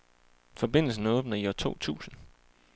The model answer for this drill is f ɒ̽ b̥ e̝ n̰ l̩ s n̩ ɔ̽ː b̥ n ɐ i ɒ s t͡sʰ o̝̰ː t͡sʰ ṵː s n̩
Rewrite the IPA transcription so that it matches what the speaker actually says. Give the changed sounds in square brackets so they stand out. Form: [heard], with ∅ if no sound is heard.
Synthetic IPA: f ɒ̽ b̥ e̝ n̰ l̩ s n̩ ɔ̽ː b̥ n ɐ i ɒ [∅] t͡sʰ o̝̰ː t͡sʰ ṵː s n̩